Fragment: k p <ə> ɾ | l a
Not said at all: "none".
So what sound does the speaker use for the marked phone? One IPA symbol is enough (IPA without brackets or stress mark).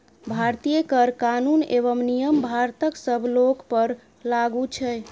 ə